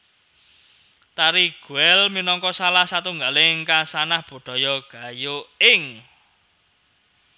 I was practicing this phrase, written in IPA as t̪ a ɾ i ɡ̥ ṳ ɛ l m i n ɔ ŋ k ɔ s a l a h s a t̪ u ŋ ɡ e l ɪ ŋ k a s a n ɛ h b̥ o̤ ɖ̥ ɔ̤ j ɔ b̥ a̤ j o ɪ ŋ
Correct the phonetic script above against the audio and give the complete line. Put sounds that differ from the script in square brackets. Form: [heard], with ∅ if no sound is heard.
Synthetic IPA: t̪ a ɾ i ɡ̥ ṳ ɛ l m i n ɔ ŋ k ɔ s a l a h s a t̪ u ŋ ɡ [a] l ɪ ŋ k a s a n [a] h b̥ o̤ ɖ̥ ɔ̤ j ɔ [ɡ̥] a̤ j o ɪ ŋ